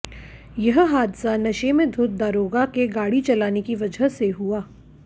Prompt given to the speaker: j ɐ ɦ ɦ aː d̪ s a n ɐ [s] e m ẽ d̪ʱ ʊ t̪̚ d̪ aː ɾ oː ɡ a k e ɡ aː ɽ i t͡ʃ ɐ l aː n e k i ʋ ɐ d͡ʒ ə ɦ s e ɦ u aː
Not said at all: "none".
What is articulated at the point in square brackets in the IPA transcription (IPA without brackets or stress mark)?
ʃ